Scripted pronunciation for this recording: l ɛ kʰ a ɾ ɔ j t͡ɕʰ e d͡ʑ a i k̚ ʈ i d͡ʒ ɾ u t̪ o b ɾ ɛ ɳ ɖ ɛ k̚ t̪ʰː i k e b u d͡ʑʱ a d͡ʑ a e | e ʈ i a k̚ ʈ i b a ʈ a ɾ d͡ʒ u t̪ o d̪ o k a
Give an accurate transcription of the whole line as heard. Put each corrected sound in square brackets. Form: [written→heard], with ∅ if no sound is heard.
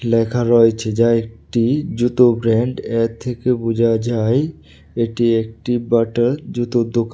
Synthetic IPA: l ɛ kʰ a ɾ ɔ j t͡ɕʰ e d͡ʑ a [i→e] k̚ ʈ i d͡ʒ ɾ u t̪ o b ɾ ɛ ɳ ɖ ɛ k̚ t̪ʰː [i→e] k e b u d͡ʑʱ a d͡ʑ a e | e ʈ i [a→e] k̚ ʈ i b a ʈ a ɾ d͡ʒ u t̪ o d̪ o k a